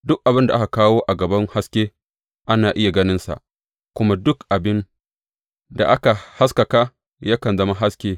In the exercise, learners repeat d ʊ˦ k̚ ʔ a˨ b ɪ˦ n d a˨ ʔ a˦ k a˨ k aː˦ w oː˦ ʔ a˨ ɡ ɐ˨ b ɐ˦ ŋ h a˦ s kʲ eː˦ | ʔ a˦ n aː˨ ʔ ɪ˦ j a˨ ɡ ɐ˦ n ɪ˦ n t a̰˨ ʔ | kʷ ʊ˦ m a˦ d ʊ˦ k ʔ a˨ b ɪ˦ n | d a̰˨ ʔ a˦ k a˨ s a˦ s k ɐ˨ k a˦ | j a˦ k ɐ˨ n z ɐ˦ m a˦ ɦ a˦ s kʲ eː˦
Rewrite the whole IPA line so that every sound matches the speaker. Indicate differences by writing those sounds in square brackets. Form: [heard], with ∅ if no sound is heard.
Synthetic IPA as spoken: d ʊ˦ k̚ ʔ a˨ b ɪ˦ n d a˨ ʔ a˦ k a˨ k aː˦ w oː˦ ʔ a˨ ɡ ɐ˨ b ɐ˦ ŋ h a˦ s kʲ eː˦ | ʔ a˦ n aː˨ ʔ ɪ˦ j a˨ ɡ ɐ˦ n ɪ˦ n [s] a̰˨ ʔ | kʷ ʊ˦ m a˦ d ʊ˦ k ʔ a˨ b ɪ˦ n | d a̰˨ ʔ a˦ k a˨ [h] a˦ s k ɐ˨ k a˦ | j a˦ k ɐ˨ n z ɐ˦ m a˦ ɦ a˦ s kʲ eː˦